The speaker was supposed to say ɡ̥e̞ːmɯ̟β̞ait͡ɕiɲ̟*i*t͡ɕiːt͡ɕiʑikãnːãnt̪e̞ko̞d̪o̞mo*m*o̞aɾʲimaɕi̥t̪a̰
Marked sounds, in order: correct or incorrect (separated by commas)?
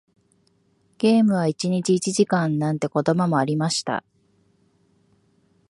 correct, correct